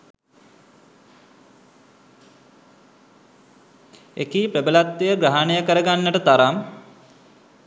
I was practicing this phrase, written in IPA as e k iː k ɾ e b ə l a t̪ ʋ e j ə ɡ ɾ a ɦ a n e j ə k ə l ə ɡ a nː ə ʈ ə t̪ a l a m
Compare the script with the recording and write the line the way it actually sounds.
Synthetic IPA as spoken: e k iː p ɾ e b ə l a t̪ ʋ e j ə ɡ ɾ a ɦ a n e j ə k ə ɾ ə ɡ a nː ə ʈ ə t̪ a ɾ a m